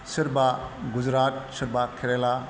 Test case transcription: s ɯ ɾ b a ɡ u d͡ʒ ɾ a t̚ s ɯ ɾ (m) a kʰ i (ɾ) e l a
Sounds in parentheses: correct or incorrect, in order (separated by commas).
incorrect, correct